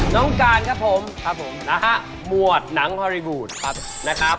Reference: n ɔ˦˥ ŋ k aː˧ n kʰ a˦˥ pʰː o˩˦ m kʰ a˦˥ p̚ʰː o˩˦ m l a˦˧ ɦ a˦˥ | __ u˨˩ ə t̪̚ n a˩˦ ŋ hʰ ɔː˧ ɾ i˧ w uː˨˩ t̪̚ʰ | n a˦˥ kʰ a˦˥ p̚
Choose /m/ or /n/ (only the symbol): m